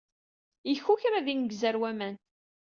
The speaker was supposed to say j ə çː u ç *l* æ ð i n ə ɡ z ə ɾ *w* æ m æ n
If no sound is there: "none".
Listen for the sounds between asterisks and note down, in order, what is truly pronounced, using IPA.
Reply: ɾ, w

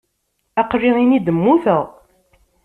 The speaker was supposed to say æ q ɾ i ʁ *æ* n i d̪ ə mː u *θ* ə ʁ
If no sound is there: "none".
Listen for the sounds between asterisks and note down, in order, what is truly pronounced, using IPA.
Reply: i, θ

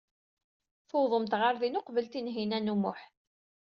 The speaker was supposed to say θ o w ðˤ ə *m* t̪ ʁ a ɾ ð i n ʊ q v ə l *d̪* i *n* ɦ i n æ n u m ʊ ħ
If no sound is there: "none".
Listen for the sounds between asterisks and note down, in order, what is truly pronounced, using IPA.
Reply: m, t̪, n

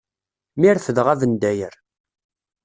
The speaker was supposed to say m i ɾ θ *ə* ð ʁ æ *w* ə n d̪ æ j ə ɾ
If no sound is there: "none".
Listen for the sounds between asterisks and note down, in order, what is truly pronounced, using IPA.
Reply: ə, v

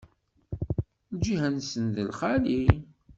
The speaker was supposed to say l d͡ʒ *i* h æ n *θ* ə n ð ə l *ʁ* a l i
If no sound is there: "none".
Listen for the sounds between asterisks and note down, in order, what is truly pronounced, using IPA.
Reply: i, s, χ

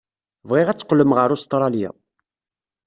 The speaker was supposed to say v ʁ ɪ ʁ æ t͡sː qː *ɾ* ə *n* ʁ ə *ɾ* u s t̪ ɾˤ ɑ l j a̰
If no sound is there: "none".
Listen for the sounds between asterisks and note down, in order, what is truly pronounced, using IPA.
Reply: l, m, ɾ

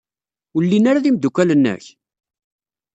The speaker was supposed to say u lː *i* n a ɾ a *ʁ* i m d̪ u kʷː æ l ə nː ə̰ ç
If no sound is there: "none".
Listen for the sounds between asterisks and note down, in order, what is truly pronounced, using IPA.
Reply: i, ð

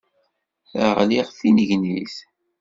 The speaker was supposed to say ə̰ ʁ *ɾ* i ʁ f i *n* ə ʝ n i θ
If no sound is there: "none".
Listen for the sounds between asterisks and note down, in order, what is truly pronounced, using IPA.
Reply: l, n

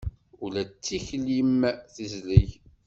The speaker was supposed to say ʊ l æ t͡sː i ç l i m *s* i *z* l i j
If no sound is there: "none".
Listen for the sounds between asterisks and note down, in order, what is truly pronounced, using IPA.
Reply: θ, z

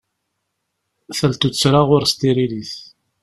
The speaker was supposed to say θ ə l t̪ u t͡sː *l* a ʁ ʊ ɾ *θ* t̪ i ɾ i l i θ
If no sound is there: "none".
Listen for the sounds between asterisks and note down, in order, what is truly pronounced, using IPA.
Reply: ɾ, s

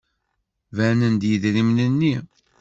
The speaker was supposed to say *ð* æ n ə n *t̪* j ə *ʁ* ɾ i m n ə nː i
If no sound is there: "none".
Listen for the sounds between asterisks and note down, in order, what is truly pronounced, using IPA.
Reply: v, d̪, ð

